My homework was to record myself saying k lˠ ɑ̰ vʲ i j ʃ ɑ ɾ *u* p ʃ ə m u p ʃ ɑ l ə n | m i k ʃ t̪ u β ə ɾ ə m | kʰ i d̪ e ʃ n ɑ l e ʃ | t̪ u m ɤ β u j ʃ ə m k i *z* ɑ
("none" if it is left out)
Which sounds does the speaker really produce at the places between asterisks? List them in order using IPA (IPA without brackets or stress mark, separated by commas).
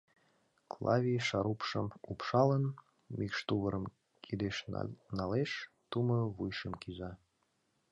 u, z